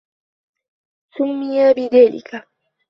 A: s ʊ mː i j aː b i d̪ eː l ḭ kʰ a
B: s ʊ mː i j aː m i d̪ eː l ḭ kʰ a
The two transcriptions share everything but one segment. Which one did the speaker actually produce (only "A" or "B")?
A